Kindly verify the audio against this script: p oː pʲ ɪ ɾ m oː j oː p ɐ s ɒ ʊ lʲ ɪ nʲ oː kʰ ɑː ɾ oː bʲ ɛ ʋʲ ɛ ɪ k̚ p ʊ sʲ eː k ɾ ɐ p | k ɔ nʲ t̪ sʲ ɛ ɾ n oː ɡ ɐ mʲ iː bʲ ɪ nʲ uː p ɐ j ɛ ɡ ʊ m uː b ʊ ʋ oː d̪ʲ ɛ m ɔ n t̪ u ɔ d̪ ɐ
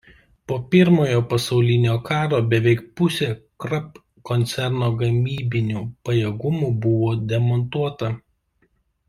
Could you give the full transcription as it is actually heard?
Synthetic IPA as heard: p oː pʲ ɪ ɾ m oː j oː p ɐ s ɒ ʊ lʲ ɪ nʲ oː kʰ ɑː ɾ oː bʲ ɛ ʋʲ ɛ ɪ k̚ p ʊ sʲ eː k ɾ ɐ p | k ɔ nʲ t̪ sʲ ɛ ɾ n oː ɡ ɐ mʲ iː bʲ ɪ nʲ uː p ɐ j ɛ ɡ ʊ m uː b ʊ ʋ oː d̪ʲ ɛ m ɔ n t̪ u ɔ t̪ ɐ